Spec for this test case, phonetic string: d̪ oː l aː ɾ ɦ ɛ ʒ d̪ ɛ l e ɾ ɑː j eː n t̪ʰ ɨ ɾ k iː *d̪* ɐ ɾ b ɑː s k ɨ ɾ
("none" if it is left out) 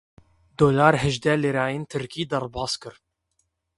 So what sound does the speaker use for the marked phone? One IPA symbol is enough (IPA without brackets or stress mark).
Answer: d̪